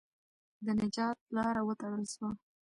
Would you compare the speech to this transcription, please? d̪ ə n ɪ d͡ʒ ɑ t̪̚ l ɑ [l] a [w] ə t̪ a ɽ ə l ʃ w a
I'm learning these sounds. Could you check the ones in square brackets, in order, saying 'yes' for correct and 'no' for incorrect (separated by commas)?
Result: no, yes